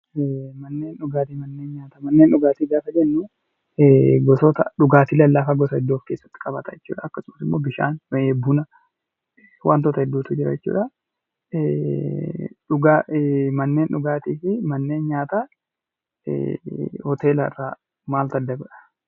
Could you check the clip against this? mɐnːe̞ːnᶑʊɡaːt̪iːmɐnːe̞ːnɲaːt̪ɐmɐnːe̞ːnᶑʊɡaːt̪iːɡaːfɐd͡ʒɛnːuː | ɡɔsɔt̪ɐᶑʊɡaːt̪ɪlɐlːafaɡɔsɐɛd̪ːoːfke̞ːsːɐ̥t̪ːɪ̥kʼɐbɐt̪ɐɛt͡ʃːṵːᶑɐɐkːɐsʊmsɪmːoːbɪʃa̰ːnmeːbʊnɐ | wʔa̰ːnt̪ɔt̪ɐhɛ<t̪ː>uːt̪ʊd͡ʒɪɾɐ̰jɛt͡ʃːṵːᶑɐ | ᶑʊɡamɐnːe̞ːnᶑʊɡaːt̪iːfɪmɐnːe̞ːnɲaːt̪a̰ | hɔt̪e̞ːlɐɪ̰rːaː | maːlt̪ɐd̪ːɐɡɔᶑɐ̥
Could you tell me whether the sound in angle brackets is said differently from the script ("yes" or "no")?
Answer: yes